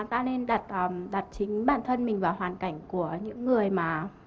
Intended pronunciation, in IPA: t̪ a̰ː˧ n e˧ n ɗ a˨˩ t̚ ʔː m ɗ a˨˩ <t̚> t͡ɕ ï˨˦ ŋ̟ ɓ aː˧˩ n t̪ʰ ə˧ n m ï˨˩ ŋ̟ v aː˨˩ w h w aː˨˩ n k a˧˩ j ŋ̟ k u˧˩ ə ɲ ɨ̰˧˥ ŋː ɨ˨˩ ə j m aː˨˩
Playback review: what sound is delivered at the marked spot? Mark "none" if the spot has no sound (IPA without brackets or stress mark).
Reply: t̚